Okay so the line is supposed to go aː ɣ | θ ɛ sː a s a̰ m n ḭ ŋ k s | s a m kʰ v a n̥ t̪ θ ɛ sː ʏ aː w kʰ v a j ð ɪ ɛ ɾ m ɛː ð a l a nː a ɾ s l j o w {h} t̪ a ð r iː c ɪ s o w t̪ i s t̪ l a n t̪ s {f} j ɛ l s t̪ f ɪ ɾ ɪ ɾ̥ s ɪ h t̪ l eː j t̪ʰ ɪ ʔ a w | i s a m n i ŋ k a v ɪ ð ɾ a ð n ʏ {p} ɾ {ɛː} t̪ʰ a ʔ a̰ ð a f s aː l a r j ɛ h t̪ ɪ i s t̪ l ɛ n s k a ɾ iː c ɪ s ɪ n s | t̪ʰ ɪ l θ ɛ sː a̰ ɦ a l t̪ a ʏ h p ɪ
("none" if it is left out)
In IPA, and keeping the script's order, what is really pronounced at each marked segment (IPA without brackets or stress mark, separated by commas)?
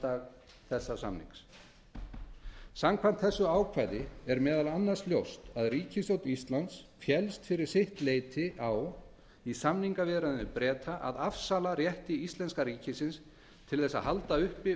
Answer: s, f, p, ɛː